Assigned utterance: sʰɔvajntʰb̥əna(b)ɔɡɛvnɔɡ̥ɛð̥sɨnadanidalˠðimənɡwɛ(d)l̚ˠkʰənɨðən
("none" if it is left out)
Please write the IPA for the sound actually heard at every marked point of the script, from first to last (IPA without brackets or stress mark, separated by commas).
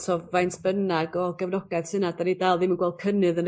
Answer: ɡ, none